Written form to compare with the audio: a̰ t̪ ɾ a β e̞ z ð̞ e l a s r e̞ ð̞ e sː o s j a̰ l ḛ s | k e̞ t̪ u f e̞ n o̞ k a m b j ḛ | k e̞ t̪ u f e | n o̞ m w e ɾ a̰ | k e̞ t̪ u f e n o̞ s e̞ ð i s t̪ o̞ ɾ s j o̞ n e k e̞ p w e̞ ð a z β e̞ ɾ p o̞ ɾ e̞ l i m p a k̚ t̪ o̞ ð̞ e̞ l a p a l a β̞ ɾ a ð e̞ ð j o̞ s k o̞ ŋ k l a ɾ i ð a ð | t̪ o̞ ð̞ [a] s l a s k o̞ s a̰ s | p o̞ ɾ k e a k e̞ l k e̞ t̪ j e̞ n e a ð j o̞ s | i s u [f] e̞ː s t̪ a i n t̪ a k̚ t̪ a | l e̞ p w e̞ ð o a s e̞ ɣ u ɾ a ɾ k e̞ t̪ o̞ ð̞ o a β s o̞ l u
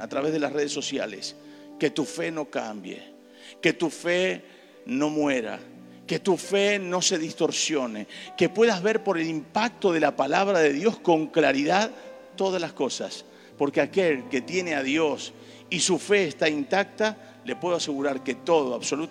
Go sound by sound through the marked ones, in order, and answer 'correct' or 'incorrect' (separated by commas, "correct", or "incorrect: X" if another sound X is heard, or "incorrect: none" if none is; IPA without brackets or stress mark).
correct, correct